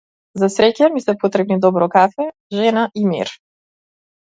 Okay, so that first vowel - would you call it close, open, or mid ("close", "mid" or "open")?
open